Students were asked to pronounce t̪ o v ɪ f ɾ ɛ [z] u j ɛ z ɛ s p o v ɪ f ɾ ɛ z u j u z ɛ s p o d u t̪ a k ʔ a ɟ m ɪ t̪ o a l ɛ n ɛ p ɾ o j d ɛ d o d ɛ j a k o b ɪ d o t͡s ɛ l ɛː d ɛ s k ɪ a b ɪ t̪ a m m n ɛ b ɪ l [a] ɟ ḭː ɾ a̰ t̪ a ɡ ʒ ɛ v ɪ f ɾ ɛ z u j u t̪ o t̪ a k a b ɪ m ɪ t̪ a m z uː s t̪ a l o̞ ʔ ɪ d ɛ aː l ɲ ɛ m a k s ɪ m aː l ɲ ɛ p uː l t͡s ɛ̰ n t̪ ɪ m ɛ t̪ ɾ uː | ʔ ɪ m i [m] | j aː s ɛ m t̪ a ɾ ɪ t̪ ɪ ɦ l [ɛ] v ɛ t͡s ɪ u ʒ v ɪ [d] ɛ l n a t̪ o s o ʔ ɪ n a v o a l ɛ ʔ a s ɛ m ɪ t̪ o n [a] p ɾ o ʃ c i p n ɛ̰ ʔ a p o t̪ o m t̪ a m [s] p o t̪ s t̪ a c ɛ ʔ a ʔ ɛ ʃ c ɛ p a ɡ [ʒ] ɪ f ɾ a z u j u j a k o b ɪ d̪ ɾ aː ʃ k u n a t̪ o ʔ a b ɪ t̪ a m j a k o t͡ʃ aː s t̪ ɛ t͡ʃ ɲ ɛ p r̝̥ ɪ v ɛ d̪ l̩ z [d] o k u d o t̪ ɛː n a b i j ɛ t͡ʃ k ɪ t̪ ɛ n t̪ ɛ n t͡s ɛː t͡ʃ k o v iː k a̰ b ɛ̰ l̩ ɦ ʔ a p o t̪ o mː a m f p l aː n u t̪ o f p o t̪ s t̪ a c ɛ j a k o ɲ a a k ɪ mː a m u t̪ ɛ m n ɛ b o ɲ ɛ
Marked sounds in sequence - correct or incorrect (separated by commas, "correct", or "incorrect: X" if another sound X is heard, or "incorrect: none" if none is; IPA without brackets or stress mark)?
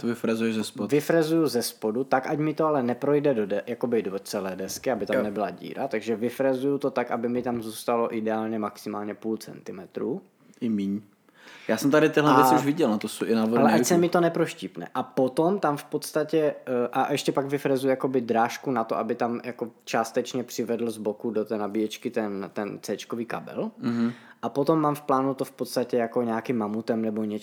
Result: correct, correct, incorrect: ɲ, correct, incorrect: ɟ, incorrect: ɛ, incorrect: f, incorrect: v, incorrect: b